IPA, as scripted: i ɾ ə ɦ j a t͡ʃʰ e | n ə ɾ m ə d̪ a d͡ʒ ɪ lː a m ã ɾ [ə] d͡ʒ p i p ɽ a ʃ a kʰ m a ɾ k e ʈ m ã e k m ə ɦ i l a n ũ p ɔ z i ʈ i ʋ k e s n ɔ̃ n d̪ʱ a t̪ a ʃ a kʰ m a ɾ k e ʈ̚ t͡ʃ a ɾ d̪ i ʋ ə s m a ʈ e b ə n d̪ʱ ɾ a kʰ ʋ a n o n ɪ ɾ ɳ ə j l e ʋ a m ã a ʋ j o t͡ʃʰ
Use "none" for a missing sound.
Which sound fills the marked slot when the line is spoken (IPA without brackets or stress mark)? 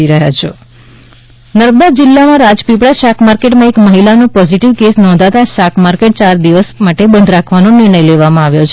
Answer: a